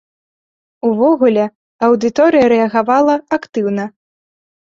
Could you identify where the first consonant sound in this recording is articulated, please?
labial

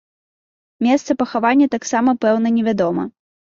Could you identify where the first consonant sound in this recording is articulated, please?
labial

